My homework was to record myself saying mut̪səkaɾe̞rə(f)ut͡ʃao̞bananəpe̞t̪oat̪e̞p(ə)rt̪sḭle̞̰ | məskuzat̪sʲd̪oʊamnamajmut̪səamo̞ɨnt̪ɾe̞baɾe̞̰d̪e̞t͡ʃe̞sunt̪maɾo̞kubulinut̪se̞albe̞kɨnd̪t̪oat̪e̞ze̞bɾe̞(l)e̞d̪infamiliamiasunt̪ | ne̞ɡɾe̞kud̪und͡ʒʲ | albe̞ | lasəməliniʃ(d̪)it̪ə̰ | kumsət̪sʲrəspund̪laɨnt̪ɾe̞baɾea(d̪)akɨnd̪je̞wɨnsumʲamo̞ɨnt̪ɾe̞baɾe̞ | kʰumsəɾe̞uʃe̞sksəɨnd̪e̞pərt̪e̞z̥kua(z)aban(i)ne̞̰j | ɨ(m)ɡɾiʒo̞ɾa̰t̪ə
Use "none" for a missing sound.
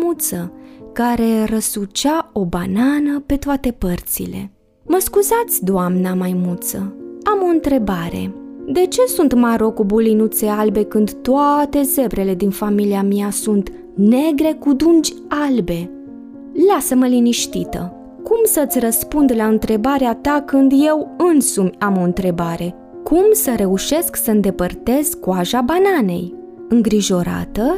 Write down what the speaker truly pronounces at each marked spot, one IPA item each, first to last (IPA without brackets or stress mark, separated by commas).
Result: s, ə, l, t̪, t̪, ʒ, a, ŋ